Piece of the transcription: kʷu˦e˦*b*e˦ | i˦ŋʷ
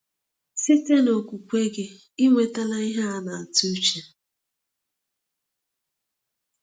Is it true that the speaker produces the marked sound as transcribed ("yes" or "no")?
no